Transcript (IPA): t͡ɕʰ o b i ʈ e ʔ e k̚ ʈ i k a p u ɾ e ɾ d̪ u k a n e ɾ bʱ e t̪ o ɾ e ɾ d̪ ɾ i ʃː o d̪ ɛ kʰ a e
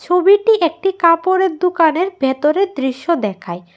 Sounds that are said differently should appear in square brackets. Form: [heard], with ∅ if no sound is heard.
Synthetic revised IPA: t͡ɕʰ o b i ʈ [i] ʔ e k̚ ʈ i k a p [o] ɾ e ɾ d̪ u k a n e ɾ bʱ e t̪ o ɾ e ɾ d̪ ɾ i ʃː o d̪ ɛ kʰ a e